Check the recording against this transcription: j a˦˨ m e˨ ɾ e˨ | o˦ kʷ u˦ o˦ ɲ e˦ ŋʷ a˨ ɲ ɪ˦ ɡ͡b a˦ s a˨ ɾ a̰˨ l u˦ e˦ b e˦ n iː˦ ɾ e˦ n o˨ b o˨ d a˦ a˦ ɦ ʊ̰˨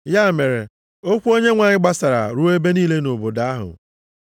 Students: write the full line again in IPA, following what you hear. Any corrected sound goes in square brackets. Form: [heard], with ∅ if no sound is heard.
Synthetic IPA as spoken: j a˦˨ m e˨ ɾ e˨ | o˦ kʷ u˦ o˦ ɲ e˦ ŋʷ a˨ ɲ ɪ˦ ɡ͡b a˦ s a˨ ɾ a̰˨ [ɾ] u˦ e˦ b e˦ n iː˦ [l] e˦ n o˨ b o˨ d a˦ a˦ ɦ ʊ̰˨